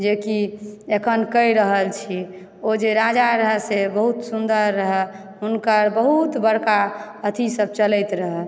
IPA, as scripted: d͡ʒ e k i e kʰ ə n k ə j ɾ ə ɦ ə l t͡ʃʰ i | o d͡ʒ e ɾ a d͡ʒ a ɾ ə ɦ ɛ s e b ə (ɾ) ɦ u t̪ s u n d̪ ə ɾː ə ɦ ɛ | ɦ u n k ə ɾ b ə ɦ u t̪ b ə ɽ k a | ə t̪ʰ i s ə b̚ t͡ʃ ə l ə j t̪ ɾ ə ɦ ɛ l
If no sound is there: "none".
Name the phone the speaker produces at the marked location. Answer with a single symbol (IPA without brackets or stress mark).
none